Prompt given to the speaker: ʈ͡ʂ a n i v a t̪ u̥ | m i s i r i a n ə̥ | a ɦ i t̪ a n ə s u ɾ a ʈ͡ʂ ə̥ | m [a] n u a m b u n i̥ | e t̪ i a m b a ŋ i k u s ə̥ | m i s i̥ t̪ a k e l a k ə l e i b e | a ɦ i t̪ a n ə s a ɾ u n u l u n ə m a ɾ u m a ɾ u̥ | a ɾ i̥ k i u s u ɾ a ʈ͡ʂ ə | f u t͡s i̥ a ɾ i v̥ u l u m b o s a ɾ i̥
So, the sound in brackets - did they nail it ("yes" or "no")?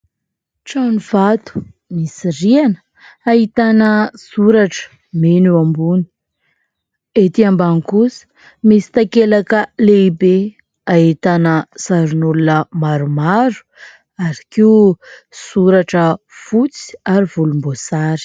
no